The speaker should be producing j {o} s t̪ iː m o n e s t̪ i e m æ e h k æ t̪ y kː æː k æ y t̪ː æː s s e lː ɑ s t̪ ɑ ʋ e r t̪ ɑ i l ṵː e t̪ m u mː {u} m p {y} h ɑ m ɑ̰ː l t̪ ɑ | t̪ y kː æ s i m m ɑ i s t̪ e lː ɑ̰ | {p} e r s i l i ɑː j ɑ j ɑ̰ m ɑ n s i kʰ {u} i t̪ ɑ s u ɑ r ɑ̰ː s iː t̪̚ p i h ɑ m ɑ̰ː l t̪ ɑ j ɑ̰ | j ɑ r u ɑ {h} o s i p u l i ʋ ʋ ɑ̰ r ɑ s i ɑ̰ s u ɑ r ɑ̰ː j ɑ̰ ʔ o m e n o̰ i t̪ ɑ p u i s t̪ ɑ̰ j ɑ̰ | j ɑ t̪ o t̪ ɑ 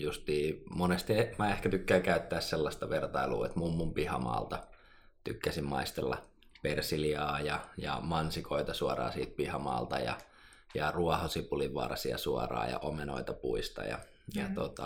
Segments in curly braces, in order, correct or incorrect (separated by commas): incorrect, correct, incorrect, correct, incorrect, correct